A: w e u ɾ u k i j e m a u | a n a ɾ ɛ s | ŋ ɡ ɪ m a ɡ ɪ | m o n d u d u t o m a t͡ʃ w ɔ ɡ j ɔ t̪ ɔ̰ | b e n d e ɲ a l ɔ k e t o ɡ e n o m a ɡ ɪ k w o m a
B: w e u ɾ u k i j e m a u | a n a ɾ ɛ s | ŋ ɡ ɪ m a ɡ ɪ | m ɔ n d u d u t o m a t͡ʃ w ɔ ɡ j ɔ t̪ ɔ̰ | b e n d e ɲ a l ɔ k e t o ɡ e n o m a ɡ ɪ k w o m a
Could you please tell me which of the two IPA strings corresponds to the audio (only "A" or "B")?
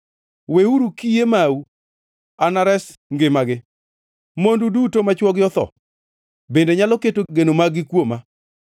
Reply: A